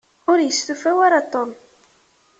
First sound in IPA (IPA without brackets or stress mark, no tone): ʊ